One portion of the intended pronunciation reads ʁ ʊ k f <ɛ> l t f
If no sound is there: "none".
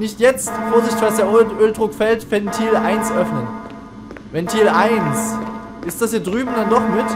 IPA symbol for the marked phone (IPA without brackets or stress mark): ɛ